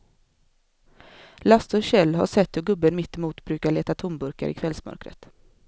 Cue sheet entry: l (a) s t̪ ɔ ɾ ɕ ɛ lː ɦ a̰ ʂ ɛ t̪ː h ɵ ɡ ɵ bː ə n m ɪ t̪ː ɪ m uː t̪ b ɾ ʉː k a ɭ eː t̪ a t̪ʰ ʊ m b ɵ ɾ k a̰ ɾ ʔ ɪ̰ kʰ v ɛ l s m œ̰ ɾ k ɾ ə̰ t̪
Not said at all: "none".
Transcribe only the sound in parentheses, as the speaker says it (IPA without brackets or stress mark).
a